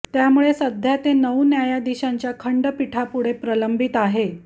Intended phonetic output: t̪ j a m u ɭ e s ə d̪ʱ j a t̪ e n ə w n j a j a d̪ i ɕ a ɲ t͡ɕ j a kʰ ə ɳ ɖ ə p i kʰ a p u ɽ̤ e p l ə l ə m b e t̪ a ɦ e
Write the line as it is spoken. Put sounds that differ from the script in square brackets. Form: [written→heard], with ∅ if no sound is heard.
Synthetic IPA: t̪ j a m u ɭ e s ə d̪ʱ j a t̪ e n ə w n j a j a d̪ i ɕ a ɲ t͡ɕ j a kʰ ə ɳ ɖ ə p i [kʰ→ʈʰ] a p u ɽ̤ e p [l→ɾ] ə l ə m b [e→i] t̪ a ɦ e